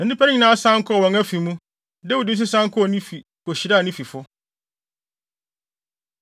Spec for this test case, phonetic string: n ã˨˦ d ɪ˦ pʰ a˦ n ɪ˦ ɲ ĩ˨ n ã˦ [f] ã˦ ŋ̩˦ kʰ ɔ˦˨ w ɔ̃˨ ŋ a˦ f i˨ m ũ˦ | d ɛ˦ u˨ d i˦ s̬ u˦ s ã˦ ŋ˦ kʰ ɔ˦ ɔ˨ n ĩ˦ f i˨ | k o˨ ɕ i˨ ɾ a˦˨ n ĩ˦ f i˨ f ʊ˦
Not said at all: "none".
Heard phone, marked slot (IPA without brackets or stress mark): s